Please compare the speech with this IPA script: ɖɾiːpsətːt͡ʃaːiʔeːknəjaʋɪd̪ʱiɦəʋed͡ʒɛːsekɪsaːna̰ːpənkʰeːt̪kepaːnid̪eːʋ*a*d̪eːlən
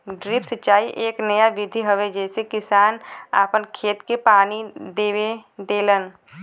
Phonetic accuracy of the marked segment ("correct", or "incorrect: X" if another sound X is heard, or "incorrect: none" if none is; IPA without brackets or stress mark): incorrect: e